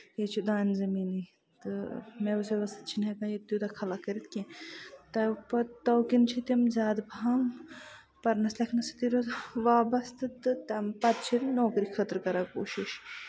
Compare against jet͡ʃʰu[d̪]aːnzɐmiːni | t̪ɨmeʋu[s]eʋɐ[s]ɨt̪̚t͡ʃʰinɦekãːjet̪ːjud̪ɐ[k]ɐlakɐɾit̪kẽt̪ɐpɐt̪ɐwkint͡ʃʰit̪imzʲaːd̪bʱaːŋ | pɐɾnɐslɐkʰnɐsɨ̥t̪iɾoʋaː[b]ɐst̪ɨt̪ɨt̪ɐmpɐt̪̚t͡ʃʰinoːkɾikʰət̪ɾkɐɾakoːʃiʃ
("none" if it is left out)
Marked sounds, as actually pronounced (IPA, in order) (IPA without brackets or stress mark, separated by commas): d̪, s, s, kʰ, b